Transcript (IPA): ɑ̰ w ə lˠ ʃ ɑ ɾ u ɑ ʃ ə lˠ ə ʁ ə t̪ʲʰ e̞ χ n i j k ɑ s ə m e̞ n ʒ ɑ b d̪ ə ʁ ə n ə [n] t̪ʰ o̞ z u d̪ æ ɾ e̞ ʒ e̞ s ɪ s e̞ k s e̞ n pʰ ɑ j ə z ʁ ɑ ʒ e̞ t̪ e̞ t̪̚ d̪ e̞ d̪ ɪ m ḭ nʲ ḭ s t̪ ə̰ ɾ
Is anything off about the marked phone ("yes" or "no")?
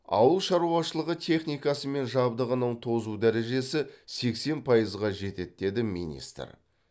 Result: yes